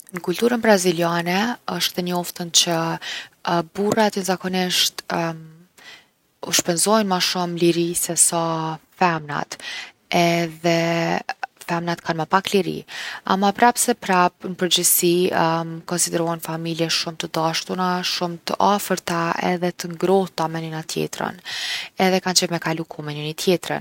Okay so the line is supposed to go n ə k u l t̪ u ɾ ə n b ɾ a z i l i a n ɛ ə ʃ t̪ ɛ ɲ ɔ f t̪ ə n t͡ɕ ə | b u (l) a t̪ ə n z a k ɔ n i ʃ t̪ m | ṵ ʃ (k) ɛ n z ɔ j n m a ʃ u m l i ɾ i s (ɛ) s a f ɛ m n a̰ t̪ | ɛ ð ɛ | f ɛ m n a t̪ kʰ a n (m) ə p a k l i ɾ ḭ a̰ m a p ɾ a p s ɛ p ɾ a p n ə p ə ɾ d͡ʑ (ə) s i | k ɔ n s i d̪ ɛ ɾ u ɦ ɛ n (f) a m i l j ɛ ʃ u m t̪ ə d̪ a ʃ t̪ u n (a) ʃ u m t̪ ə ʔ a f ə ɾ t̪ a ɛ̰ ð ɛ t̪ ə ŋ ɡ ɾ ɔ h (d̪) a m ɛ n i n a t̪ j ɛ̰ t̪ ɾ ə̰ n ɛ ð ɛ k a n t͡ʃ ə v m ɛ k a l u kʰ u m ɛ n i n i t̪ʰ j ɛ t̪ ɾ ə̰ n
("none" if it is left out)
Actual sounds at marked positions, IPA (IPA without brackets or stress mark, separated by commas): r, p, ɛ, m, ə, f, a, t̪